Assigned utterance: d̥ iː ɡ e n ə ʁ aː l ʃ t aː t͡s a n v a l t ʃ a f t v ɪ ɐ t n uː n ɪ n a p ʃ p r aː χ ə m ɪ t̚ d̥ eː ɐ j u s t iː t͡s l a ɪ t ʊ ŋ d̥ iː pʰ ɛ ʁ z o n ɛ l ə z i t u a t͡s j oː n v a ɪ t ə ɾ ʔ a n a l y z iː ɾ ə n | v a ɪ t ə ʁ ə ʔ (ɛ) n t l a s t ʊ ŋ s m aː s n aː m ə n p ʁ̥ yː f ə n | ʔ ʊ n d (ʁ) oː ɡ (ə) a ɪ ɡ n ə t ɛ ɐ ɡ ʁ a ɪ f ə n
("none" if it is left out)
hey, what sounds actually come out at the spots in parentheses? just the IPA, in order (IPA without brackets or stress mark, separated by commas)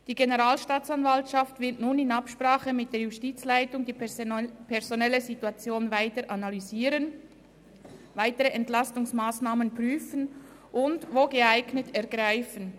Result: ɛ, v, ə